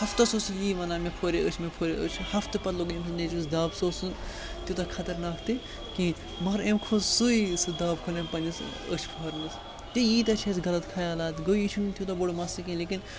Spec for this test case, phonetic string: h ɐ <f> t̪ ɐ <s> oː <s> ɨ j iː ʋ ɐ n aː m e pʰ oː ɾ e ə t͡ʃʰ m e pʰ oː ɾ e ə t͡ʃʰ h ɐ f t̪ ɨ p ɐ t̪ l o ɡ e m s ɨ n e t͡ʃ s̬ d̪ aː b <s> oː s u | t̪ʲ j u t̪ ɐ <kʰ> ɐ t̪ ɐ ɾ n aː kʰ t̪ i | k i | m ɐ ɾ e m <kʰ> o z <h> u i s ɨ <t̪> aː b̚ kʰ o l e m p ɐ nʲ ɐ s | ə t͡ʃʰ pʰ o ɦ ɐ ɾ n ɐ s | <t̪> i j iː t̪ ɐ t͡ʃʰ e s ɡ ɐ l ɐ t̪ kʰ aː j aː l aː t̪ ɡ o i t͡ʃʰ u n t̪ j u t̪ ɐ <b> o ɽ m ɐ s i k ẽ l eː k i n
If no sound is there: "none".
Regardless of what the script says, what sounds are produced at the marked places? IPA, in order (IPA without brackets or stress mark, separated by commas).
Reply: f, s, s, s, kʰ, kʰ, s, d̪, t̪, b